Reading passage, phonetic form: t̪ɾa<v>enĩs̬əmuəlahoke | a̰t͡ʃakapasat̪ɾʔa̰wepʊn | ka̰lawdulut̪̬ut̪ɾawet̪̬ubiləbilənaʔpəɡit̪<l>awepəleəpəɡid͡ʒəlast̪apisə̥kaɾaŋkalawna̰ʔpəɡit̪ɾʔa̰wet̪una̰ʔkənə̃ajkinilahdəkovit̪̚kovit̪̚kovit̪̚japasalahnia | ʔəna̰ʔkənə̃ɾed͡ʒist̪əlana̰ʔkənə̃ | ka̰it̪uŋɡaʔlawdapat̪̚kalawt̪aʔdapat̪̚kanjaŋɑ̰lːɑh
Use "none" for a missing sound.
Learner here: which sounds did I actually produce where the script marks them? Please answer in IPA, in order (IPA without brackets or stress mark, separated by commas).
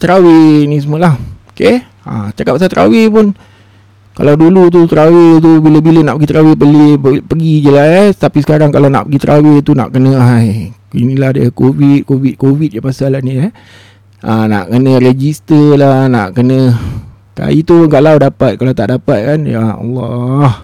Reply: w, ɾ